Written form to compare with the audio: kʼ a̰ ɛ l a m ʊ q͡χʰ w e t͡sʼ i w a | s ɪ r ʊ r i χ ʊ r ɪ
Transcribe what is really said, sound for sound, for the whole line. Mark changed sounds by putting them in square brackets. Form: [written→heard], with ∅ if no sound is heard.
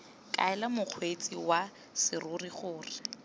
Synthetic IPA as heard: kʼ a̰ ɛ l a m ʊ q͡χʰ w e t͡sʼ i w a | s ɪ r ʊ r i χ [ʊ→ʊː] r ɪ